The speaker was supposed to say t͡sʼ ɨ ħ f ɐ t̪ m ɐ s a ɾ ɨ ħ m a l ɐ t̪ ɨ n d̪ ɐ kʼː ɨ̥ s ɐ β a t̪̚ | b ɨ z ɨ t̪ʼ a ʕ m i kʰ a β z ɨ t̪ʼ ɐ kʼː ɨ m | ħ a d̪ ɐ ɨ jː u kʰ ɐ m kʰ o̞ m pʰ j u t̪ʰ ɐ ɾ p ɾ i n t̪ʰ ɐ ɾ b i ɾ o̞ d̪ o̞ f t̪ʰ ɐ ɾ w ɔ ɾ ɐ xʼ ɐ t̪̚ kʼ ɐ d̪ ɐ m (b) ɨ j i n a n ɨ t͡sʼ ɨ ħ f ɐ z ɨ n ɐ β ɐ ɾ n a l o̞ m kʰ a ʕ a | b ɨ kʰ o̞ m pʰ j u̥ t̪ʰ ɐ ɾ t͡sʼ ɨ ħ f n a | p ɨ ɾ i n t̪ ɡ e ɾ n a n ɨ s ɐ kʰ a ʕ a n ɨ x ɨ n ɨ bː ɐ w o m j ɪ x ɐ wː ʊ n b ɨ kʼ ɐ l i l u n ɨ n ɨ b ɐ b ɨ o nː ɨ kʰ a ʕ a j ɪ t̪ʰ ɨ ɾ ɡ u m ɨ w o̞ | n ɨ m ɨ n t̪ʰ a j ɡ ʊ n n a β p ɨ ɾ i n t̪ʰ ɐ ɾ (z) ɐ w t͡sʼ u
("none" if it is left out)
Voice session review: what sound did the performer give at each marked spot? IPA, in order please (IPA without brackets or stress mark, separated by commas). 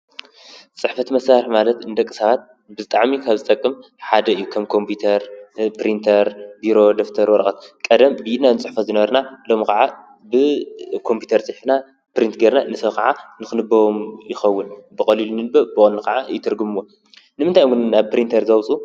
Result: b, z